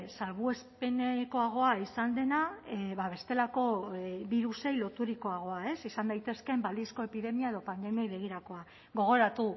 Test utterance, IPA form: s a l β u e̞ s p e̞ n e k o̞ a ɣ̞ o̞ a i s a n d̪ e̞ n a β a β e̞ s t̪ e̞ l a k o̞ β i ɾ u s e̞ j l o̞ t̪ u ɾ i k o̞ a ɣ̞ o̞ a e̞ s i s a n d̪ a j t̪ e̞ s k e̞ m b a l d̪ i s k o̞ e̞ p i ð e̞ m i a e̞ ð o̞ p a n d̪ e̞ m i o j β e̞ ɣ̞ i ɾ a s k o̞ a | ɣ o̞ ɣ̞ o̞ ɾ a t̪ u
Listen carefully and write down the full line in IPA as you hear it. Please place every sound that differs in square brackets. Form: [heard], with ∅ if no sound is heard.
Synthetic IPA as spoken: s a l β u e̞ s p e̞ n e k o̞ a ɣ̞ o̞ a i s a n d̪ e̞ n a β a β e̞ s t̪ e̞ l a k o̞ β i ɾ u s e̞ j l o̞ t̪ u ɾ i k o̞ a ɣ̞ o̞ a e̞ s i s a n d̪ a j t̪ e̞ s k e̞ m b a l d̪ i s k o̞ e̞ p i ð e̞ m i a e̞ ð o̞ p a n d̪ e̞ m i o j β e̞ ɣ̞ i ɾ a [∅] k o̞ a | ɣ o̞ ɣ̞ o̞ ɾ a t̪ u